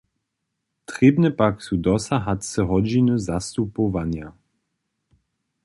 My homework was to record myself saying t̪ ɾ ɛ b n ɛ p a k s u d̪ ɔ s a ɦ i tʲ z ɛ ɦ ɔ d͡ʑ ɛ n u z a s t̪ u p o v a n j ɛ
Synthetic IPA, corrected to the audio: t̪ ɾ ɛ b n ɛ p a k s u d̪ ɔ s a ɦ a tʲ s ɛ ɦ ɔ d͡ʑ i n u z a s t̪ u p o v a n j a